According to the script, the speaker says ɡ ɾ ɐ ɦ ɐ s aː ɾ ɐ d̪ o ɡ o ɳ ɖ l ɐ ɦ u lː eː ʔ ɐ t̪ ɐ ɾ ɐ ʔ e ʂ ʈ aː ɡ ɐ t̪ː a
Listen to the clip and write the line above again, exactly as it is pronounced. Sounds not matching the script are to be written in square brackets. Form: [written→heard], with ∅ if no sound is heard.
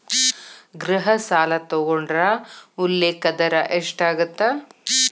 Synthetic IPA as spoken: ɡ ɾ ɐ ɦ ɐ s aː [ɾ→l] ɐ [d̪→t̪] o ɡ o ɳ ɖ [l→ɾ] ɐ [ɦ→∅] u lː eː [ʔ→k] ɐ [t̪→d̪] ɐ ɾ ɐ ʔ e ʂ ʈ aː ɡ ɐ t̪ː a

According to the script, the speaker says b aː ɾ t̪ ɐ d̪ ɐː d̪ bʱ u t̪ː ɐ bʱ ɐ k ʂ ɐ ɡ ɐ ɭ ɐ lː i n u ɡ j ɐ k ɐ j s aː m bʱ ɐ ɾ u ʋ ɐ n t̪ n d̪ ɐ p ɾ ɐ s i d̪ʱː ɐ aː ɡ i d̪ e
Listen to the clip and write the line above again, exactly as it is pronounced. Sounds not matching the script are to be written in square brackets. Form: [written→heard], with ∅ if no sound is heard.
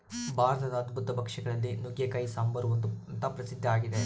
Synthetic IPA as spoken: b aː ɾ t̪ ɐ d̪ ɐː d̪ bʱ u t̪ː ɐ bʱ ɐ k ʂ ɐ ɡ ɐ ɭ ɐ lː i n u ɡ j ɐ k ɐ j s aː m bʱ ɐ ɾ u ʋ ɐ n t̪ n [d̪→t̪] ɐ p ɾ ɐ s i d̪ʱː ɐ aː ɡ i d̪ e

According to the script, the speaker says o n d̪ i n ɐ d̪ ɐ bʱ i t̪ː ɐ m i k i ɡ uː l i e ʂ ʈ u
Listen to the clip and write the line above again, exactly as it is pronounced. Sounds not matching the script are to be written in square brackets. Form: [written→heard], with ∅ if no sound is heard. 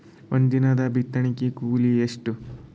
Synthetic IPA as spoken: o n d̪ i n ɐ d̪ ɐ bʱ i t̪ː ɐ [m→ɳ] i k i [ɡ→k] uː l i e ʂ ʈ u

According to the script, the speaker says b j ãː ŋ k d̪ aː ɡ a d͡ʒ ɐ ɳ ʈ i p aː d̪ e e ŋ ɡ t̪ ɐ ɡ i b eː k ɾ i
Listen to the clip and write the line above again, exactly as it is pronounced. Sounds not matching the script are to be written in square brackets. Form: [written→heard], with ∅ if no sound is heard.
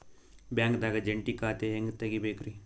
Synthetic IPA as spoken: b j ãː ŋ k d̪ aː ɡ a d͡ʒ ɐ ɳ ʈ i [p→k] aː [d̪→t̪] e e ŋ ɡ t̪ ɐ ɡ i b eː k ɾ i

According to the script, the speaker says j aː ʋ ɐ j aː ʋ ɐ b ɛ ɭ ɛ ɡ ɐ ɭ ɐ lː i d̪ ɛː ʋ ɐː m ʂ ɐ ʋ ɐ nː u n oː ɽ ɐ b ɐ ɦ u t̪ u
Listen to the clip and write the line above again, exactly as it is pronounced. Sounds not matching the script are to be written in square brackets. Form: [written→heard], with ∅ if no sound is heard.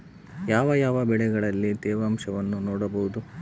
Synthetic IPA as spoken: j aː ʋ ɐ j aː ʋ ɐ b ɛ ɭ ɛ ɡ ɐ ɭ ɐ lː i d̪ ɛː ʋ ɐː m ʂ ɐ ʋ ɐ nː u n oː ɽ ɐ b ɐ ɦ u [t̪→d̪] u

